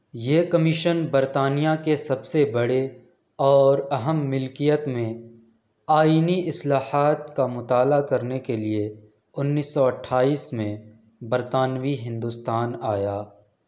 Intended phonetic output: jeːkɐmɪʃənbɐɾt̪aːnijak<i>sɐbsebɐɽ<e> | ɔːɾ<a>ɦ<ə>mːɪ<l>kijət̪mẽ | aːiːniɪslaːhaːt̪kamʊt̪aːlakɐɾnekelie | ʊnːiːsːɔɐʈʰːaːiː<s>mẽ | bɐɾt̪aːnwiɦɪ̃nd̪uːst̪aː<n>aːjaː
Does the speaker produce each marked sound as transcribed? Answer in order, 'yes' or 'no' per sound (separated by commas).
no, yes, no, yes, yes, yes, yes